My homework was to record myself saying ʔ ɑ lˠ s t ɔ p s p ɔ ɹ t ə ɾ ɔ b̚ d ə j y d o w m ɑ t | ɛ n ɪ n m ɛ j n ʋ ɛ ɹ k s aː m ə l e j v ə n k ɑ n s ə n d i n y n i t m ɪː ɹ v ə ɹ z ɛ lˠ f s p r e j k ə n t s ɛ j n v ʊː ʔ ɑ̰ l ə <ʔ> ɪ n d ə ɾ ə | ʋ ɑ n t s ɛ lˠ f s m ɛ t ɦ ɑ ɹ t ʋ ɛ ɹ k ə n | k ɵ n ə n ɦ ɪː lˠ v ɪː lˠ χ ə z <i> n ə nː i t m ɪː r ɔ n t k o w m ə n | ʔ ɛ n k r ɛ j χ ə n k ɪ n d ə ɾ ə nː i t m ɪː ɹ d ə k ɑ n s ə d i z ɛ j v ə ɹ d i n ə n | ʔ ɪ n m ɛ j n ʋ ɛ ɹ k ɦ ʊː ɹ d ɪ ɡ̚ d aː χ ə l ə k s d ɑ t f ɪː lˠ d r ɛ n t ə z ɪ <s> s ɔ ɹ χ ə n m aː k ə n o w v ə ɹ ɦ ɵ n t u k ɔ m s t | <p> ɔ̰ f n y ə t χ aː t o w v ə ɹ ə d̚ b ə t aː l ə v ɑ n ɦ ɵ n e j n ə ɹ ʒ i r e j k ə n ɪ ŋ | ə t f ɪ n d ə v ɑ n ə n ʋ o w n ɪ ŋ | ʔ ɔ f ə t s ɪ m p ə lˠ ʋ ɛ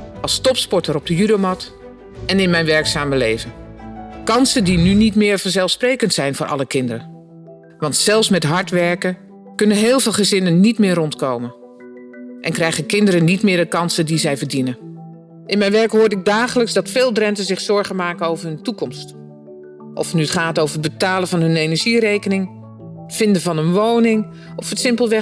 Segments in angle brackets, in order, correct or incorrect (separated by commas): incorrect, incorrect, incorrect, incorrect